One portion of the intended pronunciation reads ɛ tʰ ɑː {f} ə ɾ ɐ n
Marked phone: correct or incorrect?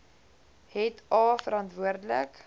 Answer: correct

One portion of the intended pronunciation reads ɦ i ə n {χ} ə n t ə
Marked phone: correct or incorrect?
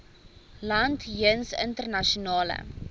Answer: incorrect: s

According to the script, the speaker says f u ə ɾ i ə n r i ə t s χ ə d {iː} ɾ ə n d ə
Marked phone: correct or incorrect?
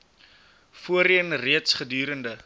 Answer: incorrect: yː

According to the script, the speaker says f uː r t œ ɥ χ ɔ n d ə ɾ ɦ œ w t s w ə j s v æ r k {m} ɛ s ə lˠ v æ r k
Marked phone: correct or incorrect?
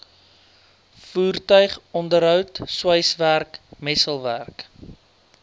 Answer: correct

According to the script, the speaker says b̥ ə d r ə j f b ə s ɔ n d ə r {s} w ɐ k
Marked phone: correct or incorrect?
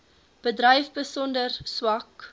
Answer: correct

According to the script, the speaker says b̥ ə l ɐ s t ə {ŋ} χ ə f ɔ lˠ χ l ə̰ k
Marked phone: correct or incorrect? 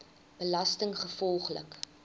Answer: correct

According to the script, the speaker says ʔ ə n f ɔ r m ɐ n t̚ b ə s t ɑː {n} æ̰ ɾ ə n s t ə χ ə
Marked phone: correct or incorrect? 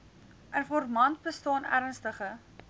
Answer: correct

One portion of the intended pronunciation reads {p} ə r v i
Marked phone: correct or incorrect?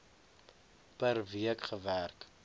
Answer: correct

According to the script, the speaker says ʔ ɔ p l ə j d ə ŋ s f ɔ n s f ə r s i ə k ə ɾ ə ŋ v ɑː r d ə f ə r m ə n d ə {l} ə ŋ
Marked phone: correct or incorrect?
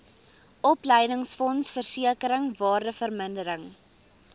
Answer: incorrect: ɾ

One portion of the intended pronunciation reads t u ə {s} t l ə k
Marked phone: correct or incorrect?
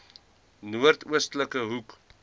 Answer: correct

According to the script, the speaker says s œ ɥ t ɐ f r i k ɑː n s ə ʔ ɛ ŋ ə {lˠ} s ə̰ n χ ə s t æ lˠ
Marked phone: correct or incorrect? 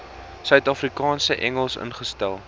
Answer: correct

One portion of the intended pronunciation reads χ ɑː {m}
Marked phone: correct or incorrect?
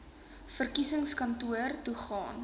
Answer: incorrect: n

